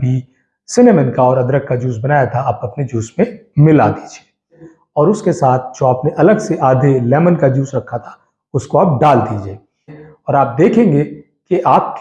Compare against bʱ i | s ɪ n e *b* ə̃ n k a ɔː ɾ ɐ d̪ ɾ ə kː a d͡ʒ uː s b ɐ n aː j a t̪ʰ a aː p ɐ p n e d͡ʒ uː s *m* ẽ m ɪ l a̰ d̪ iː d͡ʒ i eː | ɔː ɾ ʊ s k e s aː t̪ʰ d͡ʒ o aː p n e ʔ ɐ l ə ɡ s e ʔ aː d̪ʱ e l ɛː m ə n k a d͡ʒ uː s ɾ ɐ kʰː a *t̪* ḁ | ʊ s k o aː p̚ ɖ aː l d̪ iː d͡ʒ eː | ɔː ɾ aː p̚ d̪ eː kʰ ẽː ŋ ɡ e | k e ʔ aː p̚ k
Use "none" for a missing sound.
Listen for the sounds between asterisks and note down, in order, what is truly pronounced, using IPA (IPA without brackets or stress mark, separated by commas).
m, m, t̪ʰ